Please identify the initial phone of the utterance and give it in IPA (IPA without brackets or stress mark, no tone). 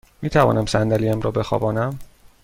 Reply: m